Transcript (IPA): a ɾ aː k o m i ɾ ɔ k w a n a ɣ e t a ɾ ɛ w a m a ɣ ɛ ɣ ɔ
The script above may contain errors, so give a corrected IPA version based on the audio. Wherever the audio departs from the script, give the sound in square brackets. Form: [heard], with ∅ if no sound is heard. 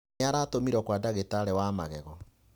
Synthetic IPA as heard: a ɾ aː [t] o m i ɾ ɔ k w a [d] a ɣ e t a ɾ ɛ w a m a ɣ ɛ ɣ ɔ